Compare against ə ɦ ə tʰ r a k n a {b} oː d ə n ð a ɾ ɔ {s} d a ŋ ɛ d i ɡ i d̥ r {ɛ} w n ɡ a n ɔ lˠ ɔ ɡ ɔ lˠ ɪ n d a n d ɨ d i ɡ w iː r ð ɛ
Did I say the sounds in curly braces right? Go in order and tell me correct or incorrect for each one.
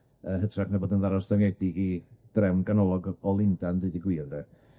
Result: correct, correct, correct

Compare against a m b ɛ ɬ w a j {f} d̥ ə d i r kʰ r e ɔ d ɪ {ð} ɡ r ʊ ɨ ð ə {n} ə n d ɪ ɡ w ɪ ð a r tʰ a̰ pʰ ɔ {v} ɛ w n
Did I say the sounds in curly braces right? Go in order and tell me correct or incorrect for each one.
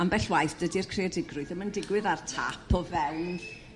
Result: incorrect: θ, incorrect: none, incorrect: m, correct

